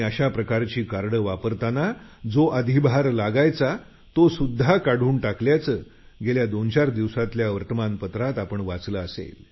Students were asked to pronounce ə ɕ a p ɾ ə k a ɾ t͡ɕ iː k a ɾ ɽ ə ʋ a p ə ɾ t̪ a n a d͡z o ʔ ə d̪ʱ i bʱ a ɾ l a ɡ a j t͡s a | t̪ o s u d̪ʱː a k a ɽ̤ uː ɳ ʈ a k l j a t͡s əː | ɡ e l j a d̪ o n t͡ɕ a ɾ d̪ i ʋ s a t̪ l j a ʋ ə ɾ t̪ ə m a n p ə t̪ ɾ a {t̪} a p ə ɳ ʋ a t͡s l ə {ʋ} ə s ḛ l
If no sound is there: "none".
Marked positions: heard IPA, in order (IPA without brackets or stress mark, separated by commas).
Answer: t̪, none